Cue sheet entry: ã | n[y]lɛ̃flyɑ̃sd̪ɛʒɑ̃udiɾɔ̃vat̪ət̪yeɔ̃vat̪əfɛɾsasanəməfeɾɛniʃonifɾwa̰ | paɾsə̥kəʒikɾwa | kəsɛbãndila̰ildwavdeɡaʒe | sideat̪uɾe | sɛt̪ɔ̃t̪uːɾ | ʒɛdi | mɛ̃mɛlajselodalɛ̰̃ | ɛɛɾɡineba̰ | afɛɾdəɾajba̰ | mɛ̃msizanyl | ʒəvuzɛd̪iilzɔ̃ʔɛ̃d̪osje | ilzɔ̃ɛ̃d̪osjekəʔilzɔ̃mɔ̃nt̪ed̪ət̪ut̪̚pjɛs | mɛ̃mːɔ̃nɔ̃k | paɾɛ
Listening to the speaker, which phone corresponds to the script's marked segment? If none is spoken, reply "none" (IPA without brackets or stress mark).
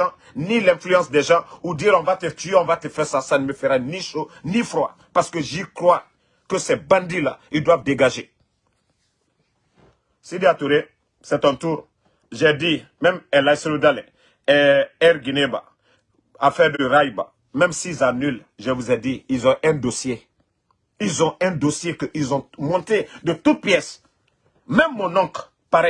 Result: i